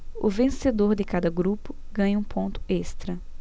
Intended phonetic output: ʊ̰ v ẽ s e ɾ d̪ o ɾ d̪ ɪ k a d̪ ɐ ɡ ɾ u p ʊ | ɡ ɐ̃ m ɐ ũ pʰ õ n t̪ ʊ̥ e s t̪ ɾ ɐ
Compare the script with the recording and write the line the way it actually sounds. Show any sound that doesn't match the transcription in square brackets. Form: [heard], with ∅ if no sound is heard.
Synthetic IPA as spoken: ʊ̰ v ẽ s e [∅] d̪ o ɾ d̪ ɪ k a d̪ ɐ ɡ ɾ u p ʊ | ɡ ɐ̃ [ɲ] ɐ ũ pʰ õ n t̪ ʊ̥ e s t̪ ɾ ɐ

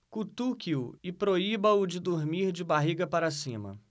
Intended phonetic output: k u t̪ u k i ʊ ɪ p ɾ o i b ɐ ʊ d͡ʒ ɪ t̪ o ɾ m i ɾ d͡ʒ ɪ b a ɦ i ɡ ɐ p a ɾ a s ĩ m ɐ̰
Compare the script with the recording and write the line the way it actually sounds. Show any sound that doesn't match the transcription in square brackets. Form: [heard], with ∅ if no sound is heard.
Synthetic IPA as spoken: k u t̪ u k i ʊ ɪ p ɾ o i b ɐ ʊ d͡ʒ ɪ [d̪] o ɾ m i ɾ d͡ʒ ɪ b a ɦ i ɡ ɐ p a ɾ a s ĩ m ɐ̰

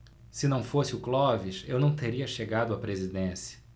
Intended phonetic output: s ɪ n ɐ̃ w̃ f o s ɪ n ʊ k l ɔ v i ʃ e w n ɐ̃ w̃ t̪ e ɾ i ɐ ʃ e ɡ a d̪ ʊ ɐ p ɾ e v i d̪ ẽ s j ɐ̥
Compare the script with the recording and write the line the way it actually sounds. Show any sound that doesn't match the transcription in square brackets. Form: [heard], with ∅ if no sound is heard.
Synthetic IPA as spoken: s ɪ n ɐ̃ w̃ f o s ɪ [∅] ʊ k l ɔ v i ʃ e w n ɐ̃ w̃ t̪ e ɾ i ɐ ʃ e ɡ a d̪ ʊ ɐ p ɾ e [z] i d̪ ẽ s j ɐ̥

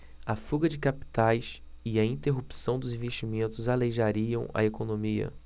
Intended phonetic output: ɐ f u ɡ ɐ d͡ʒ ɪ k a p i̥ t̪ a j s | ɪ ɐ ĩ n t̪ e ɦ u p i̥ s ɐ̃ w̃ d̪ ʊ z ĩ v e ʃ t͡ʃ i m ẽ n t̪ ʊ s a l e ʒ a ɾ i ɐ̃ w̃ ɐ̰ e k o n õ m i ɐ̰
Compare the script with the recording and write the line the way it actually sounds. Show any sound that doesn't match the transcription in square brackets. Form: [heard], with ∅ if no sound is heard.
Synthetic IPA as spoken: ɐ f u ɡ ɐ d͡ʒ ɪ k a p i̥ t̪ a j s | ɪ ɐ ĩ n t̪ e ɦ u p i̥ s ɐ̃ w̃ d̪ ʊ z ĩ v e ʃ t͡ʃ i m ẽ n t̪ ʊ [z] a l e ʒ a ɾ i ɐ̃ w̃ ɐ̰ e k o n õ m i ɐ̰

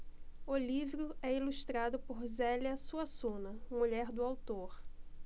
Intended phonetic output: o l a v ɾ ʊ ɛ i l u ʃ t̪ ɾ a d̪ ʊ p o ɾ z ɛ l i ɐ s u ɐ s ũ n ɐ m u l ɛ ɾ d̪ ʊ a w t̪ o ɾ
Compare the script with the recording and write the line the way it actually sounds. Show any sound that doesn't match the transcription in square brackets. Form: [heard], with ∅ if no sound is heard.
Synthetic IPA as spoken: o l [i] v ɾ ʊ ɛ i l u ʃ t̪ ɾ a d̪ ʊ p o ɾ z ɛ l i ɐ s u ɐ s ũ n ɐ m u [ʎ] ɛ ɾ d̪ ʊ a w t̪ o ɾ

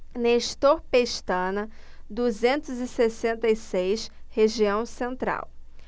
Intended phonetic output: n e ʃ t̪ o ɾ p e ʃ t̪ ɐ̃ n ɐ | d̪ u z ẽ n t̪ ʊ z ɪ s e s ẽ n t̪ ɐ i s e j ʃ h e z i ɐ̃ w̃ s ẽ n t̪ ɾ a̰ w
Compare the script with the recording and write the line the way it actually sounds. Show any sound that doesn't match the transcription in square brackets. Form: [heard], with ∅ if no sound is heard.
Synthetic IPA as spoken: n e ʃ t̪ o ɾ p e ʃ t̪ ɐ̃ n ɐ | d̪ u z ẽ n t̪ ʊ z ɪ s e s ẽ n t̪ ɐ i s e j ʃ h e [ʒ] i ɐ̃ w̃ s ẽ n t̪ ɾ a̰ w

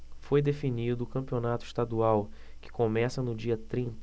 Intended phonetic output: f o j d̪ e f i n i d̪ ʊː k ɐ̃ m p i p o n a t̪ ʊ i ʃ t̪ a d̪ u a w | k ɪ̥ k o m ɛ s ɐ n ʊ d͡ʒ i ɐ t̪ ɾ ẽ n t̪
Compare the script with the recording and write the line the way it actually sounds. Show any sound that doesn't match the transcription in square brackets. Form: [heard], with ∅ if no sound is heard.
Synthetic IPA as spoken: f o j d̪ e f i n i d̪ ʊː k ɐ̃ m p i [∅] o n a t̪ ʊ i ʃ t̪ a d̪ u a w | k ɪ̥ k o m ɛ s ɐ n ʊ d͡ʒ i ɐ t̪ ɾ [ĩ] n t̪

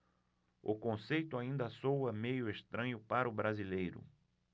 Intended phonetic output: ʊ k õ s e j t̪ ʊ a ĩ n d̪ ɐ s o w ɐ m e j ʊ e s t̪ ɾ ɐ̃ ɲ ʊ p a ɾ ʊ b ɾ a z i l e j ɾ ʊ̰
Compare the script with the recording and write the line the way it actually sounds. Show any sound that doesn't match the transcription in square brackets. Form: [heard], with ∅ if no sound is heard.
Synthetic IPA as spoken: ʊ k õ s e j t̪ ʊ a ĩ n d̪ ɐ s o w ɐ m e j ʊ e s t̪ ɾ ɐ̃ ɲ ʊ p a ɾ ʊ b ɾ a z i l e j ɾ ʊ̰

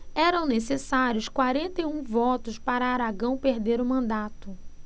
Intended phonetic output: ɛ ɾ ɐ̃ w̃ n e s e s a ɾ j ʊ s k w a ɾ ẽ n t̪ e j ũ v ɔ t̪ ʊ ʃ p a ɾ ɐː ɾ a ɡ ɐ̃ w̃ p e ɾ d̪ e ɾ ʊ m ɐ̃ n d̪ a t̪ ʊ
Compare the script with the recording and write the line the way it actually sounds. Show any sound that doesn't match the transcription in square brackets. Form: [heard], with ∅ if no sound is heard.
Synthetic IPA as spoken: ɛ ɾ ɐ̃ w̃ n e s e s a ɾ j ʊ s k w a ɾ ẽ n t̪ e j ũ v ɔ t̪ ʊ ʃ p a ɾ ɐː ɾ a ɡ ɐ̃ w̃ p e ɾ d̪ e ɾ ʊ m ɐ̃ n d̪ a t̪ ʊ

